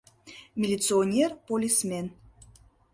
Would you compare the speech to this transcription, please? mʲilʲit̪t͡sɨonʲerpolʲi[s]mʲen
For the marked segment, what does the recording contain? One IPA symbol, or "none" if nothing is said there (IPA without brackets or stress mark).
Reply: s